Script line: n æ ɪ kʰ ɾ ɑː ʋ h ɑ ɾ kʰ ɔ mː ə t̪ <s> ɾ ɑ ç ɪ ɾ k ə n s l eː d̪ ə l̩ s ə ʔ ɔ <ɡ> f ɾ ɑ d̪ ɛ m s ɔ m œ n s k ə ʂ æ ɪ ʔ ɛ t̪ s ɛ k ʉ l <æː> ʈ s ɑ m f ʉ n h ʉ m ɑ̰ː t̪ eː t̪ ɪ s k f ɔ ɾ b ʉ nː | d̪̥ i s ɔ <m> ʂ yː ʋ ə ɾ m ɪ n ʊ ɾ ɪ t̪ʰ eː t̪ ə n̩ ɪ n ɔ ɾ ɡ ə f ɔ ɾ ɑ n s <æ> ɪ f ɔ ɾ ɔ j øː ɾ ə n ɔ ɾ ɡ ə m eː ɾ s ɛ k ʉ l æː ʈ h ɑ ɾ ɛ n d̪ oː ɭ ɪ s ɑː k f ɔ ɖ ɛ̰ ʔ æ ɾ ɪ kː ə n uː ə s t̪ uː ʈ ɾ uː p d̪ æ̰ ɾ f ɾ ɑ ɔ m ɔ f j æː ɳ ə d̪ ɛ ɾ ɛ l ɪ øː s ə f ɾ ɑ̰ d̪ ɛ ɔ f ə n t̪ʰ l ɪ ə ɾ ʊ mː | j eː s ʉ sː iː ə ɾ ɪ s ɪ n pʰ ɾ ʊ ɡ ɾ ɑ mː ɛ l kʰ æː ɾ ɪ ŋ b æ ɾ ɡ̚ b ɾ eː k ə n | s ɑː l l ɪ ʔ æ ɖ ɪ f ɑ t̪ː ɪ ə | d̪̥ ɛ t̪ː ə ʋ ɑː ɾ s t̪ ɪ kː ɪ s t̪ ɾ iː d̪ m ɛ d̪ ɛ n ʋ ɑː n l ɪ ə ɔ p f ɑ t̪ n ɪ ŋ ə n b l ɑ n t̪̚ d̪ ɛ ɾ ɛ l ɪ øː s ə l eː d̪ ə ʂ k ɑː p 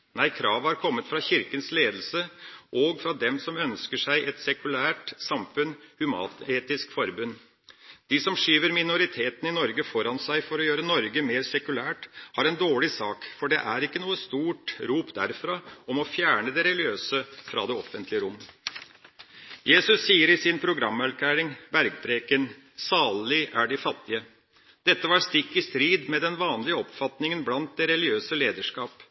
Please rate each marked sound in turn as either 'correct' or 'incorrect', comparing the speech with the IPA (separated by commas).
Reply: incorrect, correct, correct, correct, correct